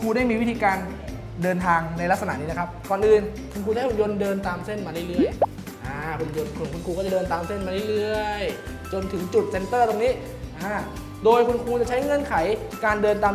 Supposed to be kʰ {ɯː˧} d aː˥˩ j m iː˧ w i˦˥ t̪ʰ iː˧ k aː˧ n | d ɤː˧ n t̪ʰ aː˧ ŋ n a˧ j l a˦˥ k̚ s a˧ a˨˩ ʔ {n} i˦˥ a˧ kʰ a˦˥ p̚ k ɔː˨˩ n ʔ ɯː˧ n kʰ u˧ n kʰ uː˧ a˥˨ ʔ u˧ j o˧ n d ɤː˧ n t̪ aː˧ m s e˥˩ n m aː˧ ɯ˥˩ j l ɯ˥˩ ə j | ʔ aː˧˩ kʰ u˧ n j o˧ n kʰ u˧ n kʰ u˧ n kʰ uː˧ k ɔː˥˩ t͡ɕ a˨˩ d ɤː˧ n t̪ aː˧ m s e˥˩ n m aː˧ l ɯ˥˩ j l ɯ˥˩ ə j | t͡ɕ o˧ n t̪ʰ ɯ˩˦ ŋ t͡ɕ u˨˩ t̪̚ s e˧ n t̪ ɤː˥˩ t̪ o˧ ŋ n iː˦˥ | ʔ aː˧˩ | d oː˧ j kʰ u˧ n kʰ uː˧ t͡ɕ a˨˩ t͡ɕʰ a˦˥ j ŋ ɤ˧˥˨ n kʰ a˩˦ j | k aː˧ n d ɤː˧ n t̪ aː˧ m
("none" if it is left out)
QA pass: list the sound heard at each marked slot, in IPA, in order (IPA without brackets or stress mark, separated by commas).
uː˧, n